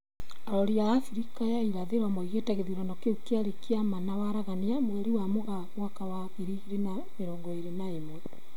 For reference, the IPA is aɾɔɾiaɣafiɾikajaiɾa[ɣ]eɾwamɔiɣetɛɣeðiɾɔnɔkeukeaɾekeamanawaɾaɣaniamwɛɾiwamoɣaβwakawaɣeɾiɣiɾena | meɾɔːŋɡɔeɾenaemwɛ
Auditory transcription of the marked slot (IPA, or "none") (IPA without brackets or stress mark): ð